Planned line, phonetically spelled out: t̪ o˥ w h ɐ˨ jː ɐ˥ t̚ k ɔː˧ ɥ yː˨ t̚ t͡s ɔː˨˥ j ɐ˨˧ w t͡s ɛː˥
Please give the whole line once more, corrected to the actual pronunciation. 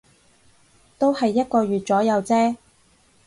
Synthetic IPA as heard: t̪ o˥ w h ɐ˨ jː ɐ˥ t̚ k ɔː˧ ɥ yː˨ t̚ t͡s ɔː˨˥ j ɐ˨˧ w t͡s ɛː˥